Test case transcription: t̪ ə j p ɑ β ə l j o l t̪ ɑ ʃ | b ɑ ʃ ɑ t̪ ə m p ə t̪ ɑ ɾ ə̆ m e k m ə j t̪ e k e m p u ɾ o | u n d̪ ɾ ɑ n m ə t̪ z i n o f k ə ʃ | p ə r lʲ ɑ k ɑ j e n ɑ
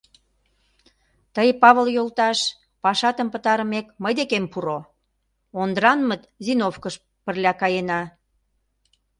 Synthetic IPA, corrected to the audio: t̪ ə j p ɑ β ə l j o l t̪ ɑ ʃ | p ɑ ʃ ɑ t̪ ə m p ə t̪ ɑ ɾ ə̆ m e k m ə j d̪ e k e m p u ɾ o | o n d̪ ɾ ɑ n m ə t̪ z i n o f k ə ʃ | p ə r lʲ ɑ k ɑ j e n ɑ